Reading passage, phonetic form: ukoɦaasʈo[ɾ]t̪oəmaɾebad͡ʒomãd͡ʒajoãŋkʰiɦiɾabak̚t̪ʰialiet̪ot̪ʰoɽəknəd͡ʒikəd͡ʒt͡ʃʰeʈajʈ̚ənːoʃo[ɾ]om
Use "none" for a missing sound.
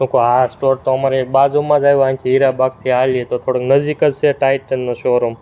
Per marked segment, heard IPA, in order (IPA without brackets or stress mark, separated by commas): ɾ, ɾ